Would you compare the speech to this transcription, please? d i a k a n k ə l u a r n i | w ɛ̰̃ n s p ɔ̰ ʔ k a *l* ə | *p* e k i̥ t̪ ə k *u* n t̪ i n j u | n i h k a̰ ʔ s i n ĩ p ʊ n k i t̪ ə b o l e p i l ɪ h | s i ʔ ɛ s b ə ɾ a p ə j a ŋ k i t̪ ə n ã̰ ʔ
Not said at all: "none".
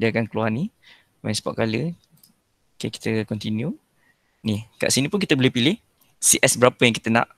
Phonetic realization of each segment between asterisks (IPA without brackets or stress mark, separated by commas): l, k, ɔ